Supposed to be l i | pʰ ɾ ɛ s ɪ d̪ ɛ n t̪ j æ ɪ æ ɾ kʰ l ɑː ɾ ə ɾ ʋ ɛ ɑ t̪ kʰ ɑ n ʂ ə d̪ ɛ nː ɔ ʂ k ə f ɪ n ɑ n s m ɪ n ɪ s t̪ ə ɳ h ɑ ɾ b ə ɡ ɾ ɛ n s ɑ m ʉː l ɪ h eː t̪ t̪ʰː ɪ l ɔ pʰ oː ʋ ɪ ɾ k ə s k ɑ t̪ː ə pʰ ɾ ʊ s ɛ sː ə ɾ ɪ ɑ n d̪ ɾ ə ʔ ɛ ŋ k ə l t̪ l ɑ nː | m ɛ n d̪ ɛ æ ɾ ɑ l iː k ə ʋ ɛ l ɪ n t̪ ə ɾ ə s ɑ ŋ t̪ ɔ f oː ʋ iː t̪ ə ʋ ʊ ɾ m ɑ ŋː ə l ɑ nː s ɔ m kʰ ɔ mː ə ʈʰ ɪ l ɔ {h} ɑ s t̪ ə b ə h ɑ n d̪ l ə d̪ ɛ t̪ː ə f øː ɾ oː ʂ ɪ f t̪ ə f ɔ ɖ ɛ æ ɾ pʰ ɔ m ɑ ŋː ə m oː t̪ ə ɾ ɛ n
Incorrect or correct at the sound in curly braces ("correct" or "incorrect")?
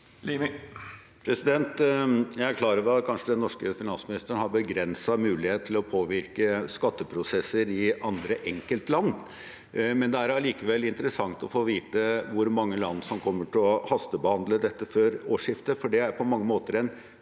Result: correct